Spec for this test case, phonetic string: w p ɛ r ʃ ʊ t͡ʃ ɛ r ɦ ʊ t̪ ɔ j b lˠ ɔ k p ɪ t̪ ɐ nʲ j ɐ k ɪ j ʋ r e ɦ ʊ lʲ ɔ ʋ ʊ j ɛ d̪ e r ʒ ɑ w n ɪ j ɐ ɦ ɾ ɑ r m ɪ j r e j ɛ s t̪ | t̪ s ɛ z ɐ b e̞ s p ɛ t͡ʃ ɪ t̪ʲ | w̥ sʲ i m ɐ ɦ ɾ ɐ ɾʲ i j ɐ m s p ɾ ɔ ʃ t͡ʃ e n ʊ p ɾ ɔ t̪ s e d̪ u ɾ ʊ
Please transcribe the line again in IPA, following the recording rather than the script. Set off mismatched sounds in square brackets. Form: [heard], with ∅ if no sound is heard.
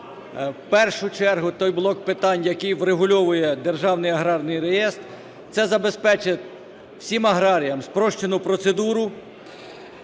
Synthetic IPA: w p ɛ r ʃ ʊ t͡ʃ ɛ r ɦ ʊ t̪ ɔ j b lˠ ɔ k p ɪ t̪ [ɑ] nʲ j ɐ k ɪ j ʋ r e ɦ ʊ lʲ ɔ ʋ ʊ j ɛ d̪ e r ʒ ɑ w n ɪ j ɐ ɦ ɾ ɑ r [n] ɪ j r e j ɛ s t̪ | t̪ s ɛ z ɐ b e̞ s p ɛ t͡ʃ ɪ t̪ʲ | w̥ sʲ i m ɐ ɦ ɾ [ɑ] ɾʲ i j ɐ m s p ɾ ɔ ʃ t͡ʃ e n ʊ p ɾ ɔ t̪ s e d̪ u ɾ ʊ